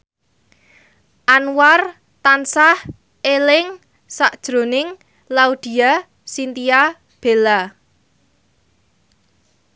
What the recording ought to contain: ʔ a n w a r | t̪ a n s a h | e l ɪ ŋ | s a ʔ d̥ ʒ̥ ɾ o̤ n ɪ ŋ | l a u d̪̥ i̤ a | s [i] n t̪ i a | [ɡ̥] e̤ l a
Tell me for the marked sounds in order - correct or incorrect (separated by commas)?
correct, incorrect